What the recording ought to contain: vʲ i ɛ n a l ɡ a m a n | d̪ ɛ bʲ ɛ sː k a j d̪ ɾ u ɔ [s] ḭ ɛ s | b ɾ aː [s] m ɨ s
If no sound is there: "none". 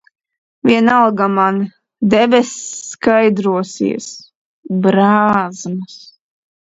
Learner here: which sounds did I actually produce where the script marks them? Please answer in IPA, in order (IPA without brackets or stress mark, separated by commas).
s, z